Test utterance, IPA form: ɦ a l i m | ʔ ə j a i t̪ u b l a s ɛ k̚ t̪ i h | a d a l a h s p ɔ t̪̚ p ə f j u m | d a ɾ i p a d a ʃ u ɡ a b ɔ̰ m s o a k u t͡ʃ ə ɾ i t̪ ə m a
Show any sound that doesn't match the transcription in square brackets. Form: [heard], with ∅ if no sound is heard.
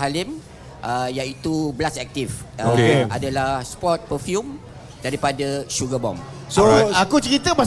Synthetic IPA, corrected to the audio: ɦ a l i m | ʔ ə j a i t̪ u b l a s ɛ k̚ t̪ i [f] | a d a l a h s p ɔ t̪̚ p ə f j u m | d a ɾ i p a d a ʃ u ɡ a b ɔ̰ m s o a k u t͡ʃ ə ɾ i t̪ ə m a